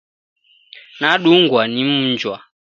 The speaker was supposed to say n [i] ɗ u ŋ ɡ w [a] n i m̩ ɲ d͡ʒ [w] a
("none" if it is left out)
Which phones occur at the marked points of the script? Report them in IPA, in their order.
a, a, w

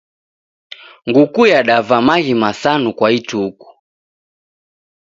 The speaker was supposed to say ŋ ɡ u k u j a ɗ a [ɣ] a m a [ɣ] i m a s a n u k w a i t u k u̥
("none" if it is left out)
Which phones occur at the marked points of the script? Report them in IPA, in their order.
v, ɣ

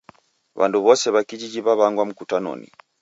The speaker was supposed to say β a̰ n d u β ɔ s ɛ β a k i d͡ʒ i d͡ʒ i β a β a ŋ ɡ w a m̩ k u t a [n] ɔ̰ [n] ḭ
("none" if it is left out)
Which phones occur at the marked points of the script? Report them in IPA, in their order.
n, n

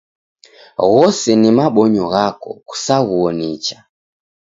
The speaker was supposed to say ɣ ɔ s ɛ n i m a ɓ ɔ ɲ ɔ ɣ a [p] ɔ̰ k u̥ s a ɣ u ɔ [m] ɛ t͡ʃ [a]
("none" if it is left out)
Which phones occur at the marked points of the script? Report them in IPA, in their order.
k, n, a

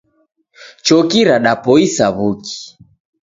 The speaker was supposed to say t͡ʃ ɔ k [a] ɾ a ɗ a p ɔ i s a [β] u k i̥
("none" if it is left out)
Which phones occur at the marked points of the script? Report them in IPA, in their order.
i, β

